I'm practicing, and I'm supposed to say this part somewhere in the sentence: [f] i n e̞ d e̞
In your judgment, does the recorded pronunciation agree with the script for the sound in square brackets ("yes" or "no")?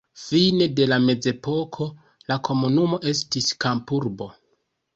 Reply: yes